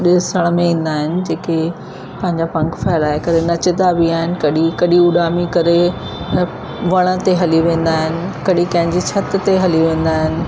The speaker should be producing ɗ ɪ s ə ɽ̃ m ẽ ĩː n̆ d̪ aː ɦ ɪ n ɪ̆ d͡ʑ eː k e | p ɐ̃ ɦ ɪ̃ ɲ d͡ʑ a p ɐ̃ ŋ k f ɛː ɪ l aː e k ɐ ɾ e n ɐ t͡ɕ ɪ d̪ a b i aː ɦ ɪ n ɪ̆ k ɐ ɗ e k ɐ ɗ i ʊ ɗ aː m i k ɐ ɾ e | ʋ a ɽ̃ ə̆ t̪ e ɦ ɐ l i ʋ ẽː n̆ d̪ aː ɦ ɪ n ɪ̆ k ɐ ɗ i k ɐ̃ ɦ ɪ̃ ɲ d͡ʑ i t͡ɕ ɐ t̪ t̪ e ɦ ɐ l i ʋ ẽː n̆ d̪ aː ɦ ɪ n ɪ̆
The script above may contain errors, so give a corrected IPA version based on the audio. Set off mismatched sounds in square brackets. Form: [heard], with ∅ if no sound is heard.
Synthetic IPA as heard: ɗ ɪ s ə ɽ̃ m ẽ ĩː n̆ d̪ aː ɦ ɪ n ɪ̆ d͡ʑ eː k e | p ɐ̃ ɦ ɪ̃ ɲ d͡ʑ a p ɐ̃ ŋ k f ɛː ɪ l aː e k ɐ ɾ e n ɐ t͡ɕ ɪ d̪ a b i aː ɦ ɪ n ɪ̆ k ɐ ɗ [i] k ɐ ɗ i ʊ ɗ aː m i k ɐ ɾ e | ʋ [ɐ] ɽ̃ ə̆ t̪ e ɦ ɐ l i ʋ ẽː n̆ d̪ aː ɦ ɪ n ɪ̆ k ɐ ɗ i k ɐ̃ ɦ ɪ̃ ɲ d͡ʑ i [t͡ɕʰ] ɐ t̪ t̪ e ɦ ɐ l i ʋ ẽː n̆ d̪ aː ɦ ɪ n ɪ̆